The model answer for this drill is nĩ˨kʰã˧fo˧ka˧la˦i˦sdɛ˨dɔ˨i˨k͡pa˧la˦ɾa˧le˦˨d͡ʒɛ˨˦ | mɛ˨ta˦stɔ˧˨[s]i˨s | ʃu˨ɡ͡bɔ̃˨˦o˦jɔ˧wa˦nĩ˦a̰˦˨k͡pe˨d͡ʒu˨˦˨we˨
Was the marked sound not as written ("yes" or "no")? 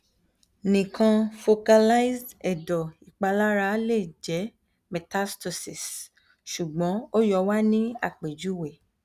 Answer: no